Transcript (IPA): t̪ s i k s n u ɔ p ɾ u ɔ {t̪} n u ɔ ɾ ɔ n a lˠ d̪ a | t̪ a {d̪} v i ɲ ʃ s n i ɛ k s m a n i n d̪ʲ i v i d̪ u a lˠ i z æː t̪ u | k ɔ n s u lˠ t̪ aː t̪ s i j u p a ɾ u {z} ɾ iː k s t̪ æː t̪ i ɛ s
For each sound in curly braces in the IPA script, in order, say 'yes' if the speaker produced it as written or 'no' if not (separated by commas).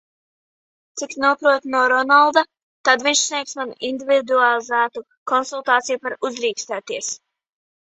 yes, yes, yes